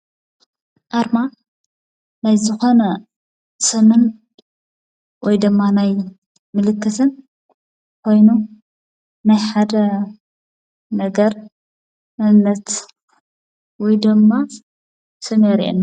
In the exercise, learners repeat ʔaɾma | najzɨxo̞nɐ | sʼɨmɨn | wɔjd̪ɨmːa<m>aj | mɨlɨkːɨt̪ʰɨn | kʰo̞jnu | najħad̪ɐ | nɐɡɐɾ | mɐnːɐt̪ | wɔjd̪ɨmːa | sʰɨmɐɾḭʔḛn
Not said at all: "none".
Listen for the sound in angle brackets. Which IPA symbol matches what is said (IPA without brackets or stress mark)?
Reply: n